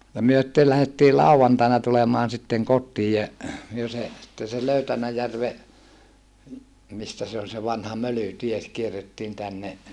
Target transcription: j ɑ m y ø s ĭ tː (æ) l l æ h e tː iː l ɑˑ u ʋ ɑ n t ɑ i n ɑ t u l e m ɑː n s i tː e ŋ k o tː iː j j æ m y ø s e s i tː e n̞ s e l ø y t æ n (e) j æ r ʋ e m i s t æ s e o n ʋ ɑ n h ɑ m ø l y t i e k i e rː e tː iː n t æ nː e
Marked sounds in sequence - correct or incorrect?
incorrect: e, incorrect: æ

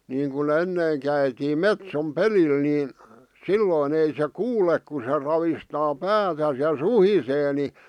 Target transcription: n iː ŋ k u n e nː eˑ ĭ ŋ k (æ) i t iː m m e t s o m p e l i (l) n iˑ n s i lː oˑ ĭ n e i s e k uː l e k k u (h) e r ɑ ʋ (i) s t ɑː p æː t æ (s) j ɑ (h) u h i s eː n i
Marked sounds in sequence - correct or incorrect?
correct, correct, incorrect: s, correct, correct, incorrect: s

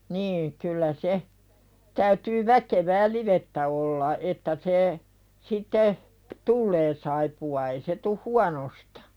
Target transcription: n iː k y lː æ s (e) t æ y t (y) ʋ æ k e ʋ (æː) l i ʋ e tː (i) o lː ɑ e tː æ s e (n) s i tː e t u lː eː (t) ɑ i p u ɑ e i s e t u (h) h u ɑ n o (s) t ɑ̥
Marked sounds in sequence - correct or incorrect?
correct, incorrect: yː, correct, incorrect: æ, incorrect: none, incorrect: s, correct, correct

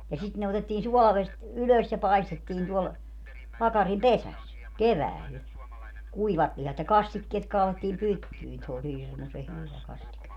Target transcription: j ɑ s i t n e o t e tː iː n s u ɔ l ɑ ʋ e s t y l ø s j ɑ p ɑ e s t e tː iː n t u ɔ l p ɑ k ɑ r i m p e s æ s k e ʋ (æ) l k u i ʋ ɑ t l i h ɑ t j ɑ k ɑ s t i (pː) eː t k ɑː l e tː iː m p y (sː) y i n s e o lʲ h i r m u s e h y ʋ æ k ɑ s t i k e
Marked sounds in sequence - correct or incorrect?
incorrect: æː, incorrect: kː, incorrect: tː

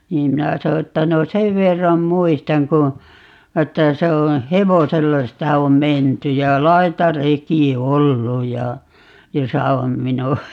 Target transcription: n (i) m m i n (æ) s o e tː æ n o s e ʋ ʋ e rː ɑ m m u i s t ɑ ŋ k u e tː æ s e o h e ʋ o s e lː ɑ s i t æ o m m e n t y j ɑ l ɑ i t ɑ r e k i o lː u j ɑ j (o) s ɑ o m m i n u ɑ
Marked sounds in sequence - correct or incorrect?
incorrect: iː, correct, correct

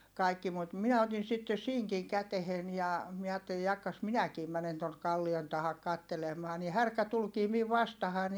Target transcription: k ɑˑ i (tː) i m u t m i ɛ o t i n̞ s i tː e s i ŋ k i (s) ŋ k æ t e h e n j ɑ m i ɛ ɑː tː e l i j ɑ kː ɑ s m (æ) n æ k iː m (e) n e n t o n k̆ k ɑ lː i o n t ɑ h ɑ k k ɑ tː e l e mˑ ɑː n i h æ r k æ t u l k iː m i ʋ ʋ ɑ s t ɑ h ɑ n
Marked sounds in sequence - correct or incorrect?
incorrect: kː, incorrect: none, incorrect: i, incorrect: æ

